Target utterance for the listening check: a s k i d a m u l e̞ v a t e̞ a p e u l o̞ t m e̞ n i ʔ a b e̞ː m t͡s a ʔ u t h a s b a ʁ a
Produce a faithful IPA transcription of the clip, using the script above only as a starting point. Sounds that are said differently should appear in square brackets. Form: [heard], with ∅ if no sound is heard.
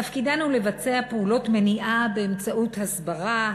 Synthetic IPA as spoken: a [f] k i d a [n] u l e̞ v a [t͡s] e̞ a p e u l o̞ t m e̞ n i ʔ a b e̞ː m t͡s a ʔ u t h a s b a ʁ a